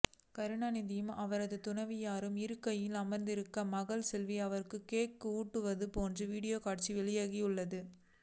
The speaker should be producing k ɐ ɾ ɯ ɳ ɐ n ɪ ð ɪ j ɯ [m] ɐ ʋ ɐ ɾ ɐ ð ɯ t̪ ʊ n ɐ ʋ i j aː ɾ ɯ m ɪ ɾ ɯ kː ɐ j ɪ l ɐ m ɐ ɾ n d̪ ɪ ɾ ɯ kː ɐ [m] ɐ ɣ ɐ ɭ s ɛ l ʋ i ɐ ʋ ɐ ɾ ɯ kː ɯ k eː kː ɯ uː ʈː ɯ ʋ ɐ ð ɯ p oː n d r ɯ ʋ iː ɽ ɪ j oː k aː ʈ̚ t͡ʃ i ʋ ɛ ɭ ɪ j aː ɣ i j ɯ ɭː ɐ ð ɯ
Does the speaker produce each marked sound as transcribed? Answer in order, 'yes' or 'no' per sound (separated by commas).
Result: yes, yes